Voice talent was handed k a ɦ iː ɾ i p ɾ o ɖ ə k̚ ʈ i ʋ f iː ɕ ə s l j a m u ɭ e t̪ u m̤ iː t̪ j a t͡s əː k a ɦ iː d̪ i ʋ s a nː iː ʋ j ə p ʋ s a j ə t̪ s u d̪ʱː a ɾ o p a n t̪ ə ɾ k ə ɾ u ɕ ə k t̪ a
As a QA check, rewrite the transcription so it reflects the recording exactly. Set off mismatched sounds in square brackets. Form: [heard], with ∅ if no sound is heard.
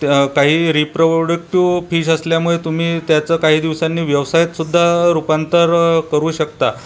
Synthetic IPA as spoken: k a ɦ iː ɾ i p ɾ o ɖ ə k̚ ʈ i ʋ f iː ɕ ə s l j a m u ɭ e t̪ u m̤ iː t̪ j a t͡s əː k a ɦ iː d̪ i ʋ s a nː iː ʋ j ə [∅] ʋ s a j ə t̪ s u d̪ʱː a ɾ [u] p a n t̪ ə ɾ k ə ɾ [uː] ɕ ə k t̪ a